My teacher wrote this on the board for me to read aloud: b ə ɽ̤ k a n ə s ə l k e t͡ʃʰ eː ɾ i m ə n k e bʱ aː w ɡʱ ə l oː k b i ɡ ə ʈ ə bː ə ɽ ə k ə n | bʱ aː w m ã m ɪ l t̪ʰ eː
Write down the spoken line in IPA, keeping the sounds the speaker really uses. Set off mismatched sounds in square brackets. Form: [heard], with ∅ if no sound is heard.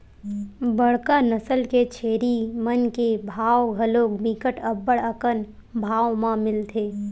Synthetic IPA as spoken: b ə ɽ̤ k a n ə s ə l k e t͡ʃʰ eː ɾ i m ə n k e bʱ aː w ɡʱ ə l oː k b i [k] ə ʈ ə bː ə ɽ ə k ə n | bʱ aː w m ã m ɪ l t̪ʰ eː